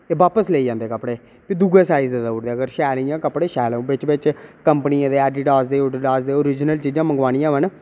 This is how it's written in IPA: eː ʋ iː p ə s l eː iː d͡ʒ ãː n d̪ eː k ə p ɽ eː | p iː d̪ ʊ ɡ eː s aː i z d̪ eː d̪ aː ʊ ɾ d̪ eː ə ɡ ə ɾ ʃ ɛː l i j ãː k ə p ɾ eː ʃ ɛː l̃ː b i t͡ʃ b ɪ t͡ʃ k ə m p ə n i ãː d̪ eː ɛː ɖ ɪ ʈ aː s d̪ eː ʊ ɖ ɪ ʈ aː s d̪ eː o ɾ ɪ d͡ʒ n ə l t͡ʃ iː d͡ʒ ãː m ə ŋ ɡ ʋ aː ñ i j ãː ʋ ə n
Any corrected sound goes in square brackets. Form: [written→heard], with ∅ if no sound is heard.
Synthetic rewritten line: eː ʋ [iː→aː] p ə s l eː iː d͡ʒ ãː n d̪ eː k ə p ɽ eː | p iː d̪ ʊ ɡ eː s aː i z d̪ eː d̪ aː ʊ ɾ d̪ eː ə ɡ ə ɾ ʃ ɛː l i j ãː k ə p [ɾ→ɽ] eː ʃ ɛː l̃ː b [i→ɪ] t͡ʃ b ɪ t͡ʃ k ə m p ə n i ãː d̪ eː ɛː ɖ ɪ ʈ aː s d̪ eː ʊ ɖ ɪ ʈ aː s d̪ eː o ɾ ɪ d͡ʒ n ə l t͡ʃ iː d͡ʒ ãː m ə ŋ ɡ ʋ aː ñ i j ãː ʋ ə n